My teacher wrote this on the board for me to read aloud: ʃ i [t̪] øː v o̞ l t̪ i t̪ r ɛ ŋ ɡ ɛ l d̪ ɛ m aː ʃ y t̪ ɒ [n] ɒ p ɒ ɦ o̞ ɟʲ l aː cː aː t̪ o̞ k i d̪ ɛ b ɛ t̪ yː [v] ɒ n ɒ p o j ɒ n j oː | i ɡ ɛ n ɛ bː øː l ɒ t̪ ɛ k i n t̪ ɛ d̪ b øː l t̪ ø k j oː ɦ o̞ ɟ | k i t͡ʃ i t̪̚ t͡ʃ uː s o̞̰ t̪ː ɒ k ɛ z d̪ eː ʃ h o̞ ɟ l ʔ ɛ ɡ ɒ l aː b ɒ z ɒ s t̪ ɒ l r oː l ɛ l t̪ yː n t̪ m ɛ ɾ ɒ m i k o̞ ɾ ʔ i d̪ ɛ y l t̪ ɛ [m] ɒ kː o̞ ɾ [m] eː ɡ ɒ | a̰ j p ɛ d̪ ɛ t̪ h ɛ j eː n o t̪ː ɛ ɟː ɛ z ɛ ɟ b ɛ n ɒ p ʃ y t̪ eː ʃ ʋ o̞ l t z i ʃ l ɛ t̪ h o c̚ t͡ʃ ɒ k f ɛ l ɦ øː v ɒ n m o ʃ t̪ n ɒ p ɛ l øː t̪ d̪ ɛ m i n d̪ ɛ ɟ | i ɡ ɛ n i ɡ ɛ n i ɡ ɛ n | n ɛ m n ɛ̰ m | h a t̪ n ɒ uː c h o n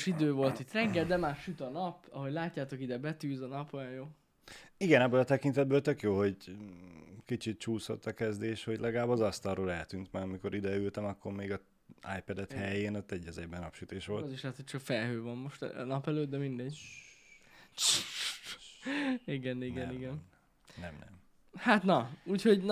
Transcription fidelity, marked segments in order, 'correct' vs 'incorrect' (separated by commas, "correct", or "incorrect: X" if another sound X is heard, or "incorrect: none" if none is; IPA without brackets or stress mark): incorrect: d̪, correct, incorrect: z, correct, correct